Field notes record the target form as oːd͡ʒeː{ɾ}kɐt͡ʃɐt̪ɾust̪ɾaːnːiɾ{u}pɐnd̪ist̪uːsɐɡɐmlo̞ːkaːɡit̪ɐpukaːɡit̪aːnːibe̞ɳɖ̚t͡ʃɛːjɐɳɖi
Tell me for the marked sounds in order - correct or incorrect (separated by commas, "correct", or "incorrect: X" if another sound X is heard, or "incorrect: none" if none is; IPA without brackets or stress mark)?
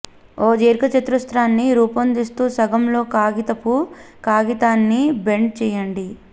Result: correct, incorrect: uː